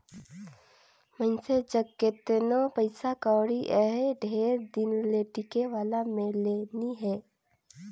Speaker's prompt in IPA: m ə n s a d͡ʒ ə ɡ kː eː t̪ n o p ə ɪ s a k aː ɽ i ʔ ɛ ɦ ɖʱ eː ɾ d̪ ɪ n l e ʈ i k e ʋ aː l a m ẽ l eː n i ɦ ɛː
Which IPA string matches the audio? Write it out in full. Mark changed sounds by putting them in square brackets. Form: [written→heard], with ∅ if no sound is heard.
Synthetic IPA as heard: m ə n s [a→e] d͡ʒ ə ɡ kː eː t̪ n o p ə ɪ s a k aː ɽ i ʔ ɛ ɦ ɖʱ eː ɾ d̪ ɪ n l e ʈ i k e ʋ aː l a m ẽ l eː n i ɦ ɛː